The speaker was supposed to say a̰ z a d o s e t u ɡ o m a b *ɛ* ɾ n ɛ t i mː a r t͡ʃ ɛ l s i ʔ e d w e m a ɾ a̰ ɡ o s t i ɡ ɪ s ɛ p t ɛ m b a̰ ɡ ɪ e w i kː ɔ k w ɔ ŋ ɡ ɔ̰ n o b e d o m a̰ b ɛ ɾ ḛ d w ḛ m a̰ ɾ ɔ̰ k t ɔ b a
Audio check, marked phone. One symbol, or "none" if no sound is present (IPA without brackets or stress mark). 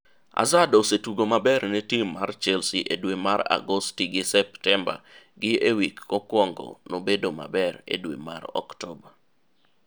ɛ